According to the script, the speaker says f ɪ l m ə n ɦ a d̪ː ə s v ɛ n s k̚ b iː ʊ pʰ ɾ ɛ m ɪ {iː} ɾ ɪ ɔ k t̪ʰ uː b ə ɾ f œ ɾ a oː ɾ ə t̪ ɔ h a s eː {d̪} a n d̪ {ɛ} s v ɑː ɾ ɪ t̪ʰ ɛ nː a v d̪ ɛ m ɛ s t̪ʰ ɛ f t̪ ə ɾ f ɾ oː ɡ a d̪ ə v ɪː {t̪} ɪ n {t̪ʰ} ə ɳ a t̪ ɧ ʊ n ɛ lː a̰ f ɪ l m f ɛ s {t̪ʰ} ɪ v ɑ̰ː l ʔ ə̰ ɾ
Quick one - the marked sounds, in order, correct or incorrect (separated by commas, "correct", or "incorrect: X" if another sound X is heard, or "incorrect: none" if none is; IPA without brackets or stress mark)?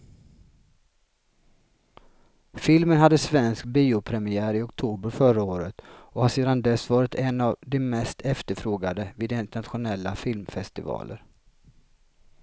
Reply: incorrect: æː, correct, correct, incorrect: d̪, incorrect: t̪, incorrect: t̪